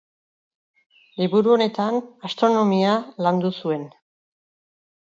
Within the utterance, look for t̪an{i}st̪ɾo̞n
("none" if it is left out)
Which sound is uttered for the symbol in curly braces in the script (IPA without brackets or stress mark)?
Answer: a